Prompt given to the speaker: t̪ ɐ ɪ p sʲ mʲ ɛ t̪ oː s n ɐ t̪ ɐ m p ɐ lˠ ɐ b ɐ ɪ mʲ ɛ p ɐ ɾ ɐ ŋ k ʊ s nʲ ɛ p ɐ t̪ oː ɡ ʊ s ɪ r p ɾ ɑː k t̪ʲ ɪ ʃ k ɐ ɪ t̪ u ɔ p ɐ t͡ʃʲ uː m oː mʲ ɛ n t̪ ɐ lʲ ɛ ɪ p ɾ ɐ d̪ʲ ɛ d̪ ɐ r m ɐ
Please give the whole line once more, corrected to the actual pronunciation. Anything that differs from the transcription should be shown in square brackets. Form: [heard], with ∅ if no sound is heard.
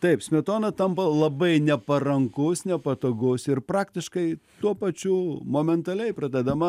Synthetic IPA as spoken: t̪ ɐ ɪ p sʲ mʲ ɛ t̪ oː [∅] n ɐ t̪ ɐ m p ɐ lˠ ɐ b ɐ ɪ [nʲ] ɛ p ɐ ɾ ɐ ŋ k ʊ s nʲ ɛ p ɐ t̪ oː ɡ ʊ s ɪ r p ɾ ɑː k t̪ʲ ɪ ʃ k ɐ ɪ t̪ u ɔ p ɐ t͡ʃʲ uː m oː mʲ ɛ n t̪ ɐ lʲ ɛ ɪ p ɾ ɐ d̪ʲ ɛ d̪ ɐ [∅] m ɐ